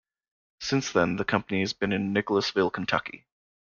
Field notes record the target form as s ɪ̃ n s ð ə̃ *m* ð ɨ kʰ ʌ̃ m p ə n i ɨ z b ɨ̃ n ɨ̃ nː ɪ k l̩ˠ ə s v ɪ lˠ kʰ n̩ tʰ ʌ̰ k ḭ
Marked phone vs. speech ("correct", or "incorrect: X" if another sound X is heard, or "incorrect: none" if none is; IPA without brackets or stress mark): incorrect: n